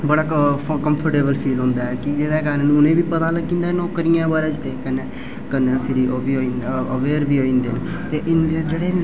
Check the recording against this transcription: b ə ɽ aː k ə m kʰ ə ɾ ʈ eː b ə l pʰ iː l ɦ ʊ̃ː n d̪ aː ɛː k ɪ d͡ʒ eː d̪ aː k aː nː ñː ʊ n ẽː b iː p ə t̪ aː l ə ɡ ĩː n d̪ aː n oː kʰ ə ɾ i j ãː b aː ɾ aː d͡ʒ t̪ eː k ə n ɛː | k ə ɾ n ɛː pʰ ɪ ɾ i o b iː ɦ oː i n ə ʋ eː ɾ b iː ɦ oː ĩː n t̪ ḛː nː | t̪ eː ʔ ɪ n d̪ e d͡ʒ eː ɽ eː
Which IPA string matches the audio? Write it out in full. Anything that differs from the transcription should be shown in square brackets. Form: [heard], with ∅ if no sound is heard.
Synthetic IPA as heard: b ə ɽ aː k ə m [pʰ] ə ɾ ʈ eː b ə l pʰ iː l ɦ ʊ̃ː n d̪ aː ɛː k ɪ d͡ʒ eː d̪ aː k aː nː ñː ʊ n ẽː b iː p ə t̪ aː l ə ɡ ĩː n d̪ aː n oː [k] ə ɾ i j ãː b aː ɾ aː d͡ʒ t̪ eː k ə n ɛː | k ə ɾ n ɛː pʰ ɪ ɾ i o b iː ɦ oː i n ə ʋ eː ɾ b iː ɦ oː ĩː n [d̪] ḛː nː | t̪ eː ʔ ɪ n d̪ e d͡ʒ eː ɽ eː

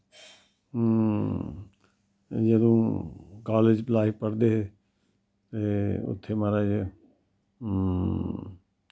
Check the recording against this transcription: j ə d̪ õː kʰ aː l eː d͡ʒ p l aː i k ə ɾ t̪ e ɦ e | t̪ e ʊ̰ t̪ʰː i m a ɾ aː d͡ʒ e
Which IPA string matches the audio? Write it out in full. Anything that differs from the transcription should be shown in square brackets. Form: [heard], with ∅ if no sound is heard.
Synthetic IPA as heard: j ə d̪ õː [k] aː l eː d͡ʒ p l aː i [p] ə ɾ [d̪] e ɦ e | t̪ e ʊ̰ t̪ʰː [e] m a ɾ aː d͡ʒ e

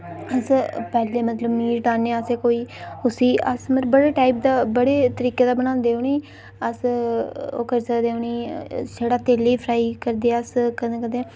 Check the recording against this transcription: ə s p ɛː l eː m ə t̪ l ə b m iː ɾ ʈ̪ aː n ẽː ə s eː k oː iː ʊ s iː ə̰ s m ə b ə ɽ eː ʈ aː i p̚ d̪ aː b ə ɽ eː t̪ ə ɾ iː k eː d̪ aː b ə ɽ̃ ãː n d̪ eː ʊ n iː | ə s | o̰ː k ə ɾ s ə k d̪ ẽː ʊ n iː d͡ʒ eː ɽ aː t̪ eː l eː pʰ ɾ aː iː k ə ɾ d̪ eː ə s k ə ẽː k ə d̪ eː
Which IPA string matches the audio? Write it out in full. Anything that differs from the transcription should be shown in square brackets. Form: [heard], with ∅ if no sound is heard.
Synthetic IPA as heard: ə s p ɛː l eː m ə t̪ l ə b m iː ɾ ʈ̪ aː n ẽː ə s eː k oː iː ʊ s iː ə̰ s m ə b ə ɽ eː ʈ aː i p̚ d̪ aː b ə ɽ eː t̪ ə ɾ iː k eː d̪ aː b ə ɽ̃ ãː n d̪ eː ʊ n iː | ə s | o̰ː k ə ɾ s ə k d̪ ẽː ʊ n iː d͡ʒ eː ɽ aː t̪ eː l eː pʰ ɾ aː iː k ə ɾ d̪ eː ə s k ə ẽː k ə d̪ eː

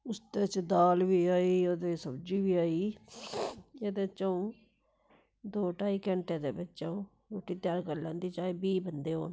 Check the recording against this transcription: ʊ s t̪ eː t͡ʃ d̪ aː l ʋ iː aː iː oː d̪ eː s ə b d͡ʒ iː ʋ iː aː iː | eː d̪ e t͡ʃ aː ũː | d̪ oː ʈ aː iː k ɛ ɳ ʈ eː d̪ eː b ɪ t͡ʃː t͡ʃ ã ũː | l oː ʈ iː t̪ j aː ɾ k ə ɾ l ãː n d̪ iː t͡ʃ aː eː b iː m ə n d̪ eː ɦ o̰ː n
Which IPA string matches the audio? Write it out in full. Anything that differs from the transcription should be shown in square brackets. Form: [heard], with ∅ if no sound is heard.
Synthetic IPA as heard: ʊ s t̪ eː t͡ʃ d̪ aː l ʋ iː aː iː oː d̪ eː s ə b d͡ʒ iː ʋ iː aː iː | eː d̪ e t͡ʃ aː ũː | d̪ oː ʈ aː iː k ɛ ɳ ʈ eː d̪ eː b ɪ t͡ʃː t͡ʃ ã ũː | [ɾ] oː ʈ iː t̪ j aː ɾ k ə ɾ l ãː n d̪ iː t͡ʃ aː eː b iː [b] ə n d̪ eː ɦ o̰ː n

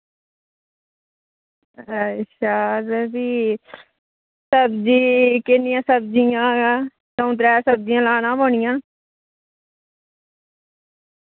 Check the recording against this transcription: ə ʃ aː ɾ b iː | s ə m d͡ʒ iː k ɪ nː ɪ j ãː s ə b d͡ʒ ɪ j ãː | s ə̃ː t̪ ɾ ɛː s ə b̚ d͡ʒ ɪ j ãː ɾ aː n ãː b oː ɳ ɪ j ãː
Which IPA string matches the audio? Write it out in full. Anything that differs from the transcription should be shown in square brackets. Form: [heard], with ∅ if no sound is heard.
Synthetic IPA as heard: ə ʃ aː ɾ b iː | s ə [b] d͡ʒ iː k ɪ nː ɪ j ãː s ə b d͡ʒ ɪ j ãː | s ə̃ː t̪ ɾ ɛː s ə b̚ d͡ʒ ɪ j ãː [l] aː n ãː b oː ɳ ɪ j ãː

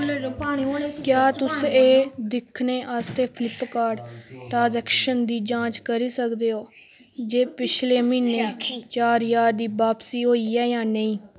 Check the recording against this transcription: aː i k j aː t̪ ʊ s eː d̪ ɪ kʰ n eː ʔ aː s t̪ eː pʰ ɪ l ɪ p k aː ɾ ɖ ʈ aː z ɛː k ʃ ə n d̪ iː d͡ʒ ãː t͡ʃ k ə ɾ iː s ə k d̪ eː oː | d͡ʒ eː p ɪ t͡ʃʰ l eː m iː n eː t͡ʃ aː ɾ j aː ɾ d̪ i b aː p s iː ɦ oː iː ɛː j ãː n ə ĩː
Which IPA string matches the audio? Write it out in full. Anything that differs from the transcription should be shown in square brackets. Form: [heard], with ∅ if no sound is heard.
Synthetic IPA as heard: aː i k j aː t̪ ʊ s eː d̪ ɪ kʰ n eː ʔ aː s t̪ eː pʰ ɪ l ɪ p k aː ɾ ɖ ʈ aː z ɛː k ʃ ə n d̪ iː d͡ʒ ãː t͡ʃ k ə ɾ iː s ə k d̪ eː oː | d͡ʒ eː p ɪ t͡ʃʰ l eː m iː n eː t͡ʃ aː ɾ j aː ɾ d̪ [iː] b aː p s iː ɦ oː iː ɛː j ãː n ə ĩː

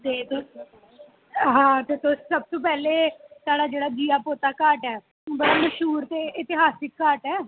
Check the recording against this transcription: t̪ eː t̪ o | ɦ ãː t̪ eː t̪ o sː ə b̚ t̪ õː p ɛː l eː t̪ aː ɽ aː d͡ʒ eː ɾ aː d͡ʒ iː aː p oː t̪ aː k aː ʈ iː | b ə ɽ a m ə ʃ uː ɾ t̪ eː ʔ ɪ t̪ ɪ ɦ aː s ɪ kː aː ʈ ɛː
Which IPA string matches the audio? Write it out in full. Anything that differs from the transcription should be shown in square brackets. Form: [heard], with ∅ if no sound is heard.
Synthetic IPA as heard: t̪ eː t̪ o | ɦ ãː t̪ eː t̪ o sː ə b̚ t̪ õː p ɛː l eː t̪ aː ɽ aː d͡ʒ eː [ɽ] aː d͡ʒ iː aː p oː t̪ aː k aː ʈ [ɛː] | b ə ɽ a m ə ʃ uː ɾ t̪ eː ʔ ɪ t̪ ɪ ɦ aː s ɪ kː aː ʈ ɛː

